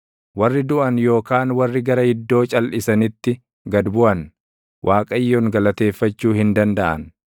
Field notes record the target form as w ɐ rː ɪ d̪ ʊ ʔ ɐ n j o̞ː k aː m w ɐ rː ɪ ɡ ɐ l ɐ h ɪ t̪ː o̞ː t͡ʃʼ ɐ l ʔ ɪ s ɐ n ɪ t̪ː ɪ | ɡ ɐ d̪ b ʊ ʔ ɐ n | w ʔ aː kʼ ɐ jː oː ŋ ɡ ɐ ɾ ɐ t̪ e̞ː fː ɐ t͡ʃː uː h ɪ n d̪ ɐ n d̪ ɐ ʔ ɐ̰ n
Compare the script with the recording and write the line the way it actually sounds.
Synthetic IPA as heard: w ɐ rː ɪ d̪ ʊ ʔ ɐ n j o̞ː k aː n w ɐ rː ɪ ɡ ɐ ɾ ɐ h ɪ d̪ː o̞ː t͡ʃʼ ɐ l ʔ ɪ s ɐ n ɪ t̪ː ɪ | ɡ ɐ d̪ b ʊ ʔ ɐ n | w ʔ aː kʼ ɐ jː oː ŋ ɡ ɐ l ɐ t̪ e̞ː fː ɐ t͡ʃː uː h ɪ n d̪ ɐ n d̪ ɐ ʔ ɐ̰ n

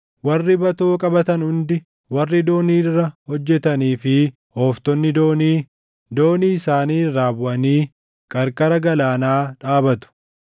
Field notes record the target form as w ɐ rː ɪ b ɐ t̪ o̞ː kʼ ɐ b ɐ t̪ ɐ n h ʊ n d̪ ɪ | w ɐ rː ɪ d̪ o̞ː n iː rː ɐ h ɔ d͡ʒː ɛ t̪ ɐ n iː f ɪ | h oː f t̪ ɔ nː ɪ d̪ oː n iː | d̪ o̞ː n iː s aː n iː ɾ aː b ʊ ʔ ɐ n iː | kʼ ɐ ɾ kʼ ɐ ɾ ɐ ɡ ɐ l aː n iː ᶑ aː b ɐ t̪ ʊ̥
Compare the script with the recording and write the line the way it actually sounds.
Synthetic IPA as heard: w ɐ rː ɪ b ɐ t̪ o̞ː kʼ ɐ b ɐ t̪ ɐ n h ʊ n d̪ ɪ | w ɐ rː ɪ d̪ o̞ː n iː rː ɐ h ɔ d͡ʒː ɛ t̪ ɐ n iː f ɪ | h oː f t̪ ɔ nː ɪ d̪ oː n iː | d̪ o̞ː n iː s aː n iː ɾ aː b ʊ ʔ ɐ n iː | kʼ ɐ ɾ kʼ ɐ ɾ ɐ ɡ ɐ l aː n aː ᶑ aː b ɐ t̪ ʊ̥

